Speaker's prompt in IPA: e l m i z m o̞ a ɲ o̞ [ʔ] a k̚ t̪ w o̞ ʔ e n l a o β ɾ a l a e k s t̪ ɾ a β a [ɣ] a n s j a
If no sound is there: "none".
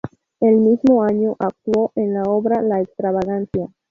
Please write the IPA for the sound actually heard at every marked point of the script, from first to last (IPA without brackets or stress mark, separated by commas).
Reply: ʔ, ɣ